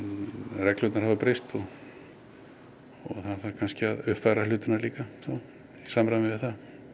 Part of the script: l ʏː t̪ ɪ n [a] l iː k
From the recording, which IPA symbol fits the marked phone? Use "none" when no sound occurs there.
a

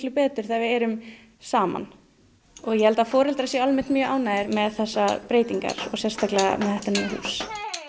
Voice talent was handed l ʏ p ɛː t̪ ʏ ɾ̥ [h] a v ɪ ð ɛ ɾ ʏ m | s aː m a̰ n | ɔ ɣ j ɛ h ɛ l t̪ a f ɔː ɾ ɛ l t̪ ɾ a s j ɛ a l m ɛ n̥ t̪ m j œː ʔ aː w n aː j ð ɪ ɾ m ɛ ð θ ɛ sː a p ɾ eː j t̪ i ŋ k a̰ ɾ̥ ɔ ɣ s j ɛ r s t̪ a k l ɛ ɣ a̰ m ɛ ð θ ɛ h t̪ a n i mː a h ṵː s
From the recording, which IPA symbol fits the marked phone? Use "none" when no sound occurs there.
θ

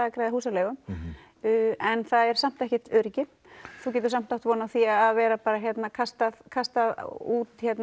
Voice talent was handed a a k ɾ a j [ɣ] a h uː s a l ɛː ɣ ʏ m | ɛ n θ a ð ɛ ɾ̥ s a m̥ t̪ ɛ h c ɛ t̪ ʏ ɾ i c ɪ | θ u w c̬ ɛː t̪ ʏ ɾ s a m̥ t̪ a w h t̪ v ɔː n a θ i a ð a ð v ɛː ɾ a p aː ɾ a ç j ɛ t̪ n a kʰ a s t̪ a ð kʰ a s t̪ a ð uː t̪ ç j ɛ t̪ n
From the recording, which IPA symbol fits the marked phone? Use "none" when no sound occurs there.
ð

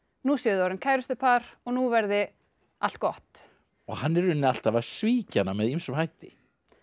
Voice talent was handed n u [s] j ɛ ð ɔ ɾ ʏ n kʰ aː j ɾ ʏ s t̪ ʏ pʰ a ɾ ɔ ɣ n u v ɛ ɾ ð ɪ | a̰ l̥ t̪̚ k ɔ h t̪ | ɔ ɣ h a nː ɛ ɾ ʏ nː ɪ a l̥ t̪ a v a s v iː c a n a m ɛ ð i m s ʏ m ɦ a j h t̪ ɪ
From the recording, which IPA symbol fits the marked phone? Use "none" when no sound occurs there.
s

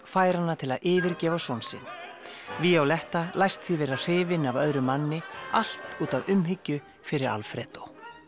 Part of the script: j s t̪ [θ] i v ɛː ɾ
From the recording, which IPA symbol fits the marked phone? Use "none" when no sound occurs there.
θ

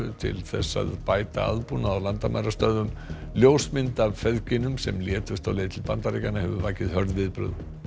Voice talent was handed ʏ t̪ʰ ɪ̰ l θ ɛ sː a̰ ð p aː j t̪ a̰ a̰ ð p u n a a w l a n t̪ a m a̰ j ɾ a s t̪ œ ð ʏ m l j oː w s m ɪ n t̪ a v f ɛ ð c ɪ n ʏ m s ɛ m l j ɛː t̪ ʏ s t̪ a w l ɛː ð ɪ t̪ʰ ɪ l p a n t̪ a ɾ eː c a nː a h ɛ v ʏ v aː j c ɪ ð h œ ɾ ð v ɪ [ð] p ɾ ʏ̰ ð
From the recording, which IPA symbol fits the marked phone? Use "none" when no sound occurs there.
ð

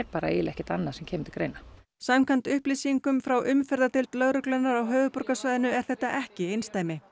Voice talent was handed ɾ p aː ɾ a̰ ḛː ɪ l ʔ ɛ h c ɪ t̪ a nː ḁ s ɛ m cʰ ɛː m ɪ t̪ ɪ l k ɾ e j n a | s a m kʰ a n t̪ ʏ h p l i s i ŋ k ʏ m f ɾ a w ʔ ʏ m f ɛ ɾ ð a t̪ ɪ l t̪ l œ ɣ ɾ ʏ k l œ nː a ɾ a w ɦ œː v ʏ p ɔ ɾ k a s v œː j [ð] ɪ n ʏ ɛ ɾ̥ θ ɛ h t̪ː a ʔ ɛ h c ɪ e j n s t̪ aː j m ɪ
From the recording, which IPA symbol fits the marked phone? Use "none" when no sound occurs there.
ð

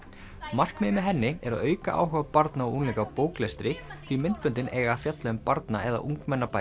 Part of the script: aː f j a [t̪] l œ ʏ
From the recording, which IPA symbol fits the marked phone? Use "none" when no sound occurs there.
t̪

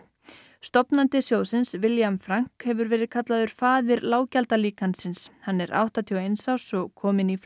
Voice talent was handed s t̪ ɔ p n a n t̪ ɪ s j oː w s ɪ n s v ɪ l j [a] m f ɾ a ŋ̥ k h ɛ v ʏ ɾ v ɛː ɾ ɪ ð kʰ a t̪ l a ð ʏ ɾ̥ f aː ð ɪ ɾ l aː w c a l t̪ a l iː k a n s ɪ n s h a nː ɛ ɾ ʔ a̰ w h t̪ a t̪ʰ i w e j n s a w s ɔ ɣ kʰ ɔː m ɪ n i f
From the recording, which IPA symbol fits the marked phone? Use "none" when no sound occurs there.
a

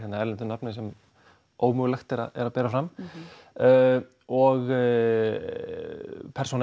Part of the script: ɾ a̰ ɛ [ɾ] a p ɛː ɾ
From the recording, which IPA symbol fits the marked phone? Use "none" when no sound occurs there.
ɾ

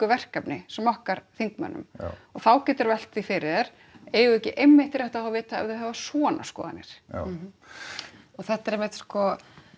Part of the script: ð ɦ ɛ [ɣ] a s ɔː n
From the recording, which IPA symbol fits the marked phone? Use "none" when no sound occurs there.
v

